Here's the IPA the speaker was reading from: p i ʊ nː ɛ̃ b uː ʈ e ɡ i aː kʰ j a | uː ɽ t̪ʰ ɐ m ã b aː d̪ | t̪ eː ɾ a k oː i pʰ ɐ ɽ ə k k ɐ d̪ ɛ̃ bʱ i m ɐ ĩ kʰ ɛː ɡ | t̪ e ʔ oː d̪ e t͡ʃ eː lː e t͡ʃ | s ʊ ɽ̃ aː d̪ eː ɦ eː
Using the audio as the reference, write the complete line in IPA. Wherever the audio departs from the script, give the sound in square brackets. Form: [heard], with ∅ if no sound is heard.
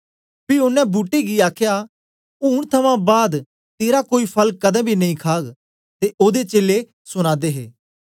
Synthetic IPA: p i ʊ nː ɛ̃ b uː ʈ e ɡ i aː kʰ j a | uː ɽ t̪ʰ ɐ m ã b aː d̪ | t̪ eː ɾ a k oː i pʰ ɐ [l] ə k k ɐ d̪ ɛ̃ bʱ i [n] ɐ ĩ kʰ [aː] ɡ | t̪ e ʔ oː d̪ e t͡ʃ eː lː e [∅] | s ʊ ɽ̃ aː d̪ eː ɦ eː

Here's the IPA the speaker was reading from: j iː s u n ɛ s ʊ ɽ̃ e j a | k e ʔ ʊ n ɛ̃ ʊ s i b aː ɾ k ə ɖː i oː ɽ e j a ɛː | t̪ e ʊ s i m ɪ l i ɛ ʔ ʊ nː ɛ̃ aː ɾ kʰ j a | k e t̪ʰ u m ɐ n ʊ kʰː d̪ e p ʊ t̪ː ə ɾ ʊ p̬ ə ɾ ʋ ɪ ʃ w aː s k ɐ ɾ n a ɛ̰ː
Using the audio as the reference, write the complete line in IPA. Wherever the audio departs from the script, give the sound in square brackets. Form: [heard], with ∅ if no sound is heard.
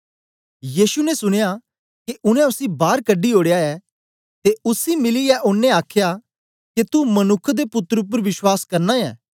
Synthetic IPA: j iː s u n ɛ s ʊ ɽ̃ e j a | k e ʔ ʊ n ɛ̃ ʊ s i b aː ɾ k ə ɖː i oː ɽ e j a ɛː | t̪ e ʊ s i m ɪ l i ɛ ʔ ʊ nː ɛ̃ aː [∅] kʰ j a | k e [t̪] u m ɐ n ʊ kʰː d̪ e p ʊ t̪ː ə ɾ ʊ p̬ ə ɾ ʋ ɪ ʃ w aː s k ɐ ɾ n a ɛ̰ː

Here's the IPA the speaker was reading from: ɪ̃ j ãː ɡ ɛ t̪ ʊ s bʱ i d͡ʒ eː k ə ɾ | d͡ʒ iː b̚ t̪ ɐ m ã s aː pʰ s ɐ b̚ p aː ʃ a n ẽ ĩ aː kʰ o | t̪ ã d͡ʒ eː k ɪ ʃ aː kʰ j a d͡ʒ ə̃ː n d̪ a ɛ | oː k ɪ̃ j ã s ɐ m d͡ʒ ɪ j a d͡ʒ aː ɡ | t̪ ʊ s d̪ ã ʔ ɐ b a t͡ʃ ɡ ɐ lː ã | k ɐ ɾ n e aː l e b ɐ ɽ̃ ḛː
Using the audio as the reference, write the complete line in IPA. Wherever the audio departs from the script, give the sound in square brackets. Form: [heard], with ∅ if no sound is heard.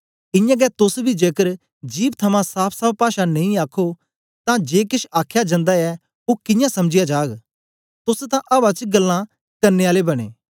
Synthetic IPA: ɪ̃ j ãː ɡ ɛ t̪ ʊ s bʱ i d͡ʒ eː k ə ɾ | d͡ʒ iː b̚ [t̪ʰ] ɐ m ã s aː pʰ s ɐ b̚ p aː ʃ a n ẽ ĩ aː kʰ o | t̪ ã d͡ʒ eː k ɪ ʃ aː kʰ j a d͡ʒ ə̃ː n d̪ a ɛ | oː k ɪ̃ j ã s ɐ m d͡ʒ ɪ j a d͡ʒ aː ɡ | t̪ ʊ s [t̪] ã ʔ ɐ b a t͡ʃ ɡ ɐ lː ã | k ɐ ɾ n e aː l e b ɐ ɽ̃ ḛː

